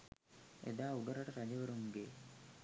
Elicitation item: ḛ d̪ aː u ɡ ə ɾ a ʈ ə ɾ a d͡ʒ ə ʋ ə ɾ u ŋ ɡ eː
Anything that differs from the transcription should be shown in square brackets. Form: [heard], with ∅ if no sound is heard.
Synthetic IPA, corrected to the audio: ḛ d̪ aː u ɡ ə ɾ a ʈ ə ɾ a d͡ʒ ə ʋ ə ɾ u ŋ ɡ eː